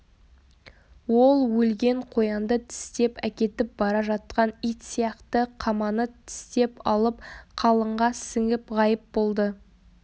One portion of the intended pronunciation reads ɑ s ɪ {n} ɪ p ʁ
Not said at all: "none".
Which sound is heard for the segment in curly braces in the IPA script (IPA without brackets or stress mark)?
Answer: ŋ